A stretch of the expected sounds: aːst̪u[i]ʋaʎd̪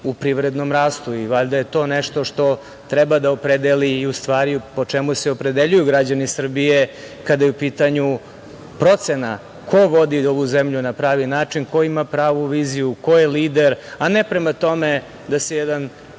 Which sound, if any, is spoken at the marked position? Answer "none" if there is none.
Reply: i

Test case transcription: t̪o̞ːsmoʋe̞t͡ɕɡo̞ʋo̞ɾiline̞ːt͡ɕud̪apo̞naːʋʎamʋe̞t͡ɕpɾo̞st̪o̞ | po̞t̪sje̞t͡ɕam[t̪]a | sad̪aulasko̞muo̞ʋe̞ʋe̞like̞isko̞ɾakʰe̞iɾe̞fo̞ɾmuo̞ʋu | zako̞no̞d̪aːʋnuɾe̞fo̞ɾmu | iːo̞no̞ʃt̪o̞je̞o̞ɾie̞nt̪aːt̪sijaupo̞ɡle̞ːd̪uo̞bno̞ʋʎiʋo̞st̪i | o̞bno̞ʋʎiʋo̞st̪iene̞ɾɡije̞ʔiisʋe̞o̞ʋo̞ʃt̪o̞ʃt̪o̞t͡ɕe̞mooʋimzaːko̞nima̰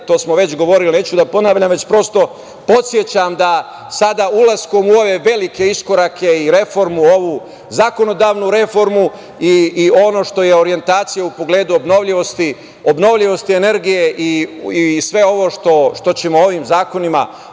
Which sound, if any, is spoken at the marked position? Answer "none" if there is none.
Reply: d̪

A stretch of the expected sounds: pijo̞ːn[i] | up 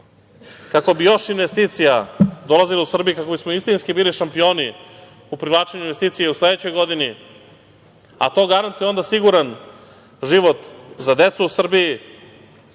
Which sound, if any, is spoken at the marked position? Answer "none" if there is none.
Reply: i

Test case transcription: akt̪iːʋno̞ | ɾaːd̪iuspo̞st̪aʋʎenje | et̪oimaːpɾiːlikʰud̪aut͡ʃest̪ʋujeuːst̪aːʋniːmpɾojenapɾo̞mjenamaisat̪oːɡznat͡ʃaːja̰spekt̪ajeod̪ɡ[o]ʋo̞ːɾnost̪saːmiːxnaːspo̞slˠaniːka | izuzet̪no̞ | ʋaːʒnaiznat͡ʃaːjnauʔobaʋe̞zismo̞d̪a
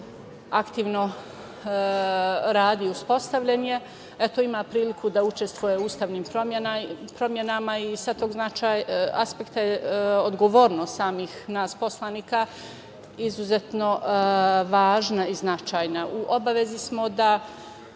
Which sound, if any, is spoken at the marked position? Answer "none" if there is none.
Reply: o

